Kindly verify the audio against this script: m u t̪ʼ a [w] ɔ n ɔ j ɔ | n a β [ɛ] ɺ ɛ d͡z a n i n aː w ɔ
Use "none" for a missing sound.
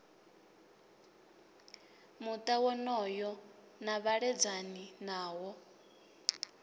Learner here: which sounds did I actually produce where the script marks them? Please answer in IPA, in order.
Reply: w, a

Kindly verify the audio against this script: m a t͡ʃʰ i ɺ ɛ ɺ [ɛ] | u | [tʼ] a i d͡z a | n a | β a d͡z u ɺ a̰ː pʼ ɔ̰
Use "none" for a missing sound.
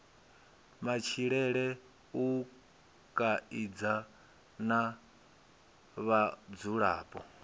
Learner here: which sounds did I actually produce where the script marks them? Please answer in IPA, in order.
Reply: ɛ, kʼ

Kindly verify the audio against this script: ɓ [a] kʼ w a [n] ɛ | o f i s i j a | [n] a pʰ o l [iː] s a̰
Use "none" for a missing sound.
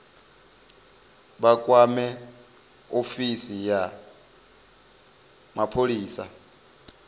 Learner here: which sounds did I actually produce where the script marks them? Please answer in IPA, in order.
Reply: a, m, m, iː

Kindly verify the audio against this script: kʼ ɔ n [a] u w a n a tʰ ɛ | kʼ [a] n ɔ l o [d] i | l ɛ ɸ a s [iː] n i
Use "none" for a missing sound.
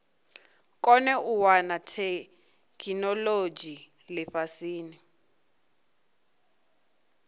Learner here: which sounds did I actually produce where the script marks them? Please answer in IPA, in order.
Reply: ɛ, i, d͡ʒ, iː

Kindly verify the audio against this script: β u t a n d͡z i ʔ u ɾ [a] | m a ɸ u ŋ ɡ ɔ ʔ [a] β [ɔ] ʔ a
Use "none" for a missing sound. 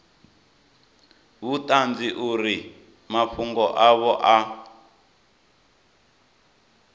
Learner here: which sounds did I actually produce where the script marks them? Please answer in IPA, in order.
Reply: i, a, ɔ

